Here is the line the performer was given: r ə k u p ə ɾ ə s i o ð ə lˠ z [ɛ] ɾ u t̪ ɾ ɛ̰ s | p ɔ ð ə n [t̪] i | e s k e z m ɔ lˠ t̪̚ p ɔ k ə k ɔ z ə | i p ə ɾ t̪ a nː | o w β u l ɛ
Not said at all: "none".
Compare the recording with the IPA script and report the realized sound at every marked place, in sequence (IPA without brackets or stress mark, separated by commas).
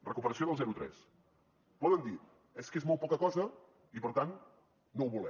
ɛ, d̪